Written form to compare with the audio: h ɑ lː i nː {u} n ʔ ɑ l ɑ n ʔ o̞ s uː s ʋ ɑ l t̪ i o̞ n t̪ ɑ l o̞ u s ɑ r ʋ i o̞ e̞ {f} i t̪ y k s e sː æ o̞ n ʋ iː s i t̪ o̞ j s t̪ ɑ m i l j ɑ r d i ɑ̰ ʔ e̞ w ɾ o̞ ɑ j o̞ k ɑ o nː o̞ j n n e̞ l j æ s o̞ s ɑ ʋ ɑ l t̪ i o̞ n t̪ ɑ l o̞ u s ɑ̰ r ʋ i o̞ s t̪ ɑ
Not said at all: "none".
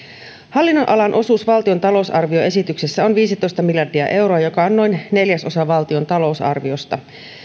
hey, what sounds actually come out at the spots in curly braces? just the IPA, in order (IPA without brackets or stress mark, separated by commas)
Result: o, s